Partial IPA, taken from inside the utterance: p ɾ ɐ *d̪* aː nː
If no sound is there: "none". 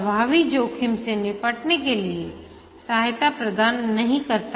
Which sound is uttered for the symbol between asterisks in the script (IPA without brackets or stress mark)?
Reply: d̪